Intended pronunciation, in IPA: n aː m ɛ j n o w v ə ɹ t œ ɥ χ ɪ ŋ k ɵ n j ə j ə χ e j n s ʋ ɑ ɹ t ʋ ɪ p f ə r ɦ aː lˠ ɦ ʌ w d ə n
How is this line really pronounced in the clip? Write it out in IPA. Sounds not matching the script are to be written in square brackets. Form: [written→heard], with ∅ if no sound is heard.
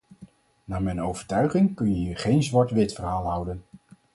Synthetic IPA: n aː m ɛ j n o w v ə ɹ t œ ɥ χ ɪ ŋ k ɵ n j ə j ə χ e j n [s→z] ʋ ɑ ɹ t ʋ ɪ [p→t] f ə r ɦ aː lˠ ɦ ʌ w d ə n